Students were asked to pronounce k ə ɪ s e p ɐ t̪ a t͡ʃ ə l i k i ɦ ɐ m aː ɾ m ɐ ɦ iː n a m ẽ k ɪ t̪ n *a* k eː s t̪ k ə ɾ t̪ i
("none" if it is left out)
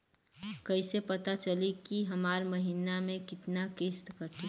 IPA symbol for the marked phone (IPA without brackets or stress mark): a